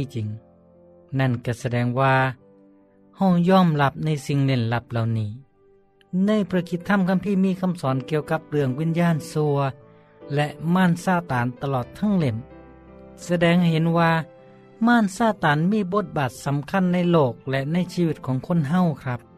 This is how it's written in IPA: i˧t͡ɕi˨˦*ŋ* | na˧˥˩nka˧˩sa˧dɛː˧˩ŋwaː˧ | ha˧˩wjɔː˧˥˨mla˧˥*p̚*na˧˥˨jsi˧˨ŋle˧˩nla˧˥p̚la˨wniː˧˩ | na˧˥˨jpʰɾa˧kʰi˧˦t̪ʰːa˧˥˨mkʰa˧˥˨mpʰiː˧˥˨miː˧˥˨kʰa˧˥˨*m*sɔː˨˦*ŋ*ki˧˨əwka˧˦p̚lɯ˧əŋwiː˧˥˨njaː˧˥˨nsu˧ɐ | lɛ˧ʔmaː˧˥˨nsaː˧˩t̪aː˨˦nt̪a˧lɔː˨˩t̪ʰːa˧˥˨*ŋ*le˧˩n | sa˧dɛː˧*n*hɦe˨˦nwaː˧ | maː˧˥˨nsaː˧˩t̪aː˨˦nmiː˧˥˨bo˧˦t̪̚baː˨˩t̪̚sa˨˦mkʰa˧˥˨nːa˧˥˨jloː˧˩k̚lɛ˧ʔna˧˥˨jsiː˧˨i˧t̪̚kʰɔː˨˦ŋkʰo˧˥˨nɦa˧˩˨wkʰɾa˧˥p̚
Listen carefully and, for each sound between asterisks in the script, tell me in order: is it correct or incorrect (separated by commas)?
correct, correct, correct, incorrect, correct, incorrect